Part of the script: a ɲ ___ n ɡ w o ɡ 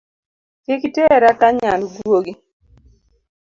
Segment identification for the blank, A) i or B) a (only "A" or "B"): B